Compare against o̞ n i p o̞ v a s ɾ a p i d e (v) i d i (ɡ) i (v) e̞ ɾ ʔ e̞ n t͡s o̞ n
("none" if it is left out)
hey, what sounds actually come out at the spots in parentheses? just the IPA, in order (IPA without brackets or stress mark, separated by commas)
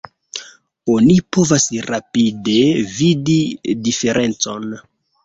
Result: v, d, f